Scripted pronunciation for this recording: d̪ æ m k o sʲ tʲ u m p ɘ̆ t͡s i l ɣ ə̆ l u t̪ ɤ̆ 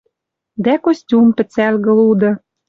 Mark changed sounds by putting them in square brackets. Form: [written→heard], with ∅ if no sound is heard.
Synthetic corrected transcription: d̪ æ [m→∅] k o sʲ tʲ u m p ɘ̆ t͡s [i→æ] l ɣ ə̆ l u [t̪→d̪] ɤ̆